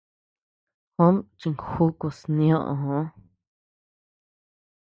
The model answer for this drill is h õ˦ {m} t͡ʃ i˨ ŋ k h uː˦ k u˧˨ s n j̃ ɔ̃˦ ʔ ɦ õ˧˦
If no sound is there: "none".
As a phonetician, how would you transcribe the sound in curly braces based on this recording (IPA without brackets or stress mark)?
m